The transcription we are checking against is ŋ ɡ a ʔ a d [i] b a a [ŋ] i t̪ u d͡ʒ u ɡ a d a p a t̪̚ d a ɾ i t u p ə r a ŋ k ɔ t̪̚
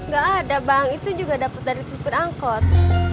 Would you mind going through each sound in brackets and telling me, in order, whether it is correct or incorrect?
incorrect: a, correct

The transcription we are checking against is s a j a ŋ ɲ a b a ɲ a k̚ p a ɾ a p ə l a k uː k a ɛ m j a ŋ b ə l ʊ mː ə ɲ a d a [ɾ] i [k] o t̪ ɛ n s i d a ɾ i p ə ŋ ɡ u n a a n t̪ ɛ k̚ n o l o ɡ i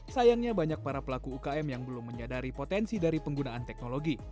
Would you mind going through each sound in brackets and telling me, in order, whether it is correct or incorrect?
correct, incorrect: p

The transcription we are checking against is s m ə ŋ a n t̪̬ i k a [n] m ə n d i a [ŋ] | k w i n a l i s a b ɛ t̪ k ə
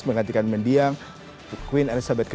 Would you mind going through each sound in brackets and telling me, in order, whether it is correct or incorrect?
correct, correct

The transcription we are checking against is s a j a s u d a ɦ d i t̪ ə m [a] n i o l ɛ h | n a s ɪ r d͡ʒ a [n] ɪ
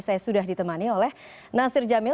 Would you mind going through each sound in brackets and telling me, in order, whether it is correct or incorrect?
correct, incorrect: m

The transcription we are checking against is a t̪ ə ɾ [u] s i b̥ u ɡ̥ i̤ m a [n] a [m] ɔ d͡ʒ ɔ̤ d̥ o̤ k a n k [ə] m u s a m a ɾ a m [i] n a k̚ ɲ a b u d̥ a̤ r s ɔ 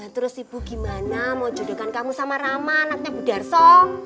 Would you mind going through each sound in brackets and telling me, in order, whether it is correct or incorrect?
incorrect: ʊ, correct, correct, incorrect: a, incorrect: a

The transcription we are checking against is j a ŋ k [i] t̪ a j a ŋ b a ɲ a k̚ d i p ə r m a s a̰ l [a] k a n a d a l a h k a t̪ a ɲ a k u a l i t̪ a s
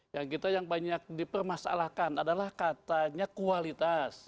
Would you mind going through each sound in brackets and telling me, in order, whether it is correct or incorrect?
correct, correct

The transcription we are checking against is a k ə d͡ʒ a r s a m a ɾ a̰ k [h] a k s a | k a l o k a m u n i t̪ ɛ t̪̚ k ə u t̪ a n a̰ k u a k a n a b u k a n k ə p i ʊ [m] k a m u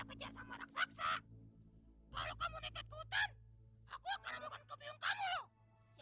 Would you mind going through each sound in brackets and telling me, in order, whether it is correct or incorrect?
incorrect: s, incorrect: ŋ

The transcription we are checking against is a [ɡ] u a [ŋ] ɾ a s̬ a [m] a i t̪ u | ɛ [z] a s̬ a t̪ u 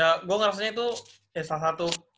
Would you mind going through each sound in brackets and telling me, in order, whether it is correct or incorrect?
correct, correct, incorrect: ɲ, incorrect: s

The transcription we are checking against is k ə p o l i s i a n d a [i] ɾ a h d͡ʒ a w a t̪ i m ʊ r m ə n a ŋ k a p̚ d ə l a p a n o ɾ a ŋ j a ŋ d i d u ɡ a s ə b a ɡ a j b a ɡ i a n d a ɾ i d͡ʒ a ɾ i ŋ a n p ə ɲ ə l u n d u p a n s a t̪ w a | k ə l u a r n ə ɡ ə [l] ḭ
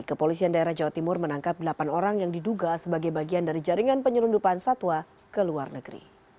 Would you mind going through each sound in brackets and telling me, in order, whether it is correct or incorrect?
incorrect: e, incorrect: ɾ

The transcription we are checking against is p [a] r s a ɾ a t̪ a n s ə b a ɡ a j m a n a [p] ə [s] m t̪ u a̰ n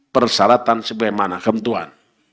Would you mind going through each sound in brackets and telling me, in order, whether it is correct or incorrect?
incorrect: ə, incorrect: k, incorrect: none

